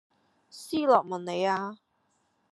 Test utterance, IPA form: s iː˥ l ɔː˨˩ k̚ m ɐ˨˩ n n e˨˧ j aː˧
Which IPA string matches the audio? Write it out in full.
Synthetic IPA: s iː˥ l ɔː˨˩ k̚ m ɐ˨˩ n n e˨˧ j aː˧